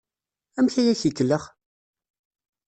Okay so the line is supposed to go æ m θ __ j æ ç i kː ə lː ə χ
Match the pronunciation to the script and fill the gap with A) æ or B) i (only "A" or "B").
A